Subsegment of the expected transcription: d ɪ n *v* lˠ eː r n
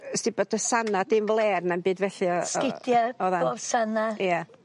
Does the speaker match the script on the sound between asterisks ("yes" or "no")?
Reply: yes